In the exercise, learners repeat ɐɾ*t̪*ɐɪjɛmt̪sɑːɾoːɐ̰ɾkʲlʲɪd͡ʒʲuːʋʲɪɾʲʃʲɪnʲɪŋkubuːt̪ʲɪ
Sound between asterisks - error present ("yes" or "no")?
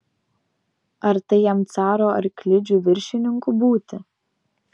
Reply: no